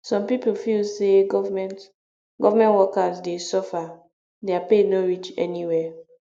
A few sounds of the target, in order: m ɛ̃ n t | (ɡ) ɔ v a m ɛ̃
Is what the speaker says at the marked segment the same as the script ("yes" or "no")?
yes